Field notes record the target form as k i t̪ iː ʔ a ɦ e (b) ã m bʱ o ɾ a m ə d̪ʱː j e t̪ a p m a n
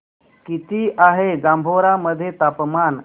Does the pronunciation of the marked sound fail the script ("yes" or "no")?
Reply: yes